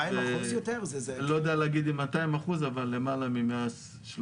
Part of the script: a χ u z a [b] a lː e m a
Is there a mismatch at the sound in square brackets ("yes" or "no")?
yes